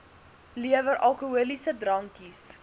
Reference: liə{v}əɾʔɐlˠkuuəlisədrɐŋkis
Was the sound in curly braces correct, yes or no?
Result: yes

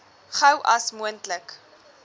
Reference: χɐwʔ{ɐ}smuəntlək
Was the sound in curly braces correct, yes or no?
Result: yes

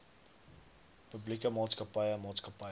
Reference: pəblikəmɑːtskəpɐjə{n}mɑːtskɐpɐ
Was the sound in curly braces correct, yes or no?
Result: yes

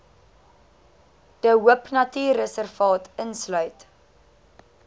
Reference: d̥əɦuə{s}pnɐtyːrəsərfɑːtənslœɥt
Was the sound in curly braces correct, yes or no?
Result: no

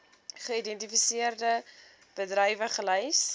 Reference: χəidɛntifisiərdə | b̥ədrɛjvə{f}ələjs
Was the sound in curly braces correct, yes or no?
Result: no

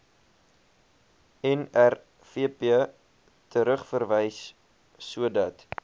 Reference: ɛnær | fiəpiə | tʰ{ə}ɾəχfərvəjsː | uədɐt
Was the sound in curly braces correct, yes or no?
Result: yes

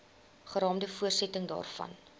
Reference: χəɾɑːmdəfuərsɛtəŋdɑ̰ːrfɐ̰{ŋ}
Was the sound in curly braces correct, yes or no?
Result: no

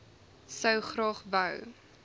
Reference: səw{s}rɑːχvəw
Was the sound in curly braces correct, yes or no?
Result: no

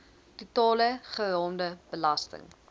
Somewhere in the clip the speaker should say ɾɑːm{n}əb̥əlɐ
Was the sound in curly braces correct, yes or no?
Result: no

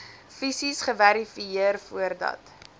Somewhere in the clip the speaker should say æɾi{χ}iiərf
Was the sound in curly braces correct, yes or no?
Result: no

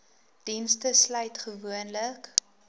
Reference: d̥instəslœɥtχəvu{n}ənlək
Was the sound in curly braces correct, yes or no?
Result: no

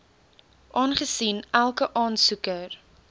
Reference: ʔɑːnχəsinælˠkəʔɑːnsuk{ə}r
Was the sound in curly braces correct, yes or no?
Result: yes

